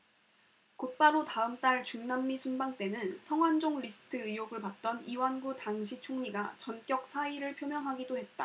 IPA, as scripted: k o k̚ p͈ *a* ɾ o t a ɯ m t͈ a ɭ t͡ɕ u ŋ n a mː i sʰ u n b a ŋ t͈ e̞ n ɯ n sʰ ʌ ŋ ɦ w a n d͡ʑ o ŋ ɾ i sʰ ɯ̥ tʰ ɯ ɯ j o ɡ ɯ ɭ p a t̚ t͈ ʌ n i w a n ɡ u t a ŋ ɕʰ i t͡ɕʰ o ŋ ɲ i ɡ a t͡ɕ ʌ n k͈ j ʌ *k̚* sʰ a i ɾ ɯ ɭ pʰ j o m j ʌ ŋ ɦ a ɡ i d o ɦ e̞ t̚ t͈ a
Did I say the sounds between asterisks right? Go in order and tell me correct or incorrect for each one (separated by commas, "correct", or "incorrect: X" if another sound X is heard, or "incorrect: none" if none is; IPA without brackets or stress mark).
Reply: correct, correct